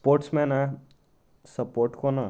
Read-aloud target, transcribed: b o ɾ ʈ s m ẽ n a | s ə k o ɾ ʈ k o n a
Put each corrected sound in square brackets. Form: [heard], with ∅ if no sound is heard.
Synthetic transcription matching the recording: [p] o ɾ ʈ s m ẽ n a | s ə [p] o ɾ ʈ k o n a